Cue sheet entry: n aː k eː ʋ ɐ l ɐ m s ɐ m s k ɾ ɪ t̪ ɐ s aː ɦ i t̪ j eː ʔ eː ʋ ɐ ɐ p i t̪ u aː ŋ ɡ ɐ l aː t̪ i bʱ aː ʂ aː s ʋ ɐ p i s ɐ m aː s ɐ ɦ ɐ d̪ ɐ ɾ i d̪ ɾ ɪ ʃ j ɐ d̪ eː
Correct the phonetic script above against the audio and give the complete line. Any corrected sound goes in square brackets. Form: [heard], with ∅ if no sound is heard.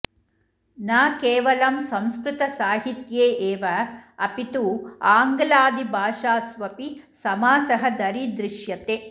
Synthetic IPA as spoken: n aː k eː ʋ ɐ l ɐ m s ɐ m s k ɾ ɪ t̪ ɐ s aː ɦ i t̪ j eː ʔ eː ʋ ɐ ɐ p i t̪ u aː ŋ ɡ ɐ l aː [d̪] i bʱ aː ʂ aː s ʋ ɐ p i s ɐ m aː s ɐ ɦ ɐ d̪ ɐ ɾ i d̪ ɾ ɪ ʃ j ɐ [t̪] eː